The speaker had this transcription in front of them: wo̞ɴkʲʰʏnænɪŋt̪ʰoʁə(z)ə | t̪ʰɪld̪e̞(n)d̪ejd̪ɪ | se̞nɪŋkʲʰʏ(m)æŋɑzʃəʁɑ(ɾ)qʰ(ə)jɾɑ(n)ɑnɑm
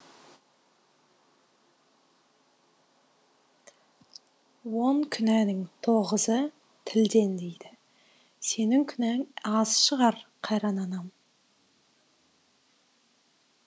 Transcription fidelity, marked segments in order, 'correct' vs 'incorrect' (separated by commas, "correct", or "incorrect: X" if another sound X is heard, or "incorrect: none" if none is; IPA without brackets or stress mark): correct, correct, incorrect: n, correct, incorrect: ɑ, correct